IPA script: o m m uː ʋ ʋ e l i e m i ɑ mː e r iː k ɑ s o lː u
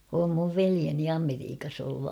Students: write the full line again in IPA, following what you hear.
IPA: o m m u ʋ ʋ e l i e n i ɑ m e r iː k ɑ s o lː u